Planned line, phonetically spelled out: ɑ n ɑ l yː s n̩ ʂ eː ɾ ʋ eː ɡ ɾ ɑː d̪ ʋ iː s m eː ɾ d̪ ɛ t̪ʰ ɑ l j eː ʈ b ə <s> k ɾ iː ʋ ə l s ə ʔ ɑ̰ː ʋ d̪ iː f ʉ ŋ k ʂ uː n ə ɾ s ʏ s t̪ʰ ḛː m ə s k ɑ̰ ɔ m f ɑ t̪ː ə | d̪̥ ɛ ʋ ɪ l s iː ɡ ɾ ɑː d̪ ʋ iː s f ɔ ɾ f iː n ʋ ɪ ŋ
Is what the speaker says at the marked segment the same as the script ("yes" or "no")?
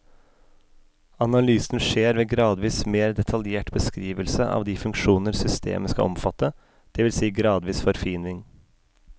yes